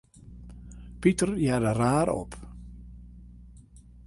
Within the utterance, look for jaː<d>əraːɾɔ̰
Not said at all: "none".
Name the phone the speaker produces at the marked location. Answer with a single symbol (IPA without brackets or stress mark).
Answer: d